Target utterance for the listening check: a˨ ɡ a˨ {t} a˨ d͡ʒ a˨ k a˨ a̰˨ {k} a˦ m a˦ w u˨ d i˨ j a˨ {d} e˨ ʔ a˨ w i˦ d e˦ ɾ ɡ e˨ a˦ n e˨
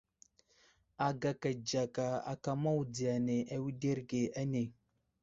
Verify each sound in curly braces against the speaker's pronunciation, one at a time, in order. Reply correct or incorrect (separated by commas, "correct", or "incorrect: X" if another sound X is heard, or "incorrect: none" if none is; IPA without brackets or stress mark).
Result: incorrect: k, correct, incorrect: n